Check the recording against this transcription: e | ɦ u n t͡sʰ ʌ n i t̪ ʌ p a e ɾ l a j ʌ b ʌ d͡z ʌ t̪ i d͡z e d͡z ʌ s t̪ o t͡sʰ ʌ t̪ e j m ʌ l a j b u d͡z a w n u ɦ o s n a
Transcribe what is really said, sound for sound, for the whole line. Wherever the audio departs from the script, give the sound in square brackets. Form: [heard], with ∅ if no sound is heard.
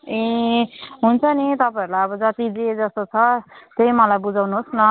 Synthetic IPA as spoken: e | ɦ u n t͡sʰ ʌ n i t̪ ʌ p a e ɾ l a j ʌ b ʌ d͡z ʌ t̪ i d͡z e d͡z ʌ s t̪ o t͡sʰ ʌ t̪ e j m ʌ l a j b u d͡z a w n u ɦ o s n [ʌ]